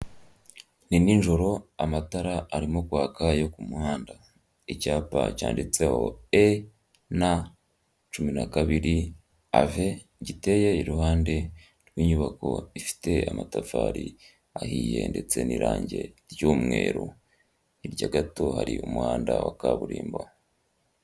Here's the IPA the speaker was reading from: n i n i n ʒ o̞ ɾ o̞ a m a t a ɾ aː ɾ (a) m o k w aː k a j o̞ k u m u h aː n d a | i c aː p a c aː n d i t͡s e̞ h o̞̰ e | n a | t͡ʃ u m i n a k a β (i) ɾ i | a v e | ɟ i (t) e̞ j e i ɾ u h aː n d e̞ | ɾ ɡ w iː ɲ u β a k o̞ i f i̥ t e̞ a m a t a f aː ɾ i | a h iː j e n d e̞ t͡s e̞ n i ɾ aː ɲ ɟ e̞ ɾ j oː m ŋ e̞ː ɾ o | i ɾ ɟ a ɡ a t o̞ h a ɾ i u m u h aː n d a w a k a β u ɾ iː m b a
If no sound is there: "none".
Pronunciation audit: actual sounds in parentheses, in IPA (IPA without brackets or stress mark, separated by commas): i, i, t